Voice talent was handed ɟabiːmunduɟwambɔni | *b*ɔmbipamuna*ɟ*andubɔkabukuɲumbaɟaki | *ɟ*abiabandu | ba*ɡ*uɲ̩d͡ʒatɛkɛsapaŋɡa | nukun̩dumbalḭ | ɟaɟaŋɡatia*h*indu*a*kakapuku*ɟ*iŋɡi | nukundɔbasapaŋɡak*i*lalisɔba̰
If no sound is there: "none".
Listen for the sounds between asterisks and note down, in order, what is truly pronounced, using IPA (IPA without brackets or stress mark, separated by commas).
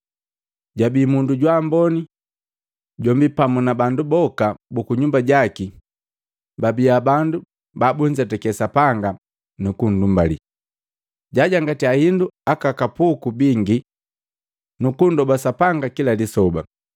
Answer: ɟ, b, b, b, h, a, b, i